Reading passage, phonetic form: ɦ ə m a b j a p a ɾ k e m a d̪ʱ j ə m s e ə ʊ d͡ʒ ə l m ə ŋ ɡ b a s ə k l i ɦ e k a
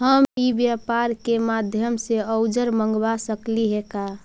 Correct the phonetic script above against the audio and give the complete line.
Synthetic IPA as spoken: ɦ ə m i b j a p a ɾ k e m a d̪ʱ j ə m s e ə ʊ d͡ʒ ə ɾ m ə ŋ ɡ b a s ə k l i ɦ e k a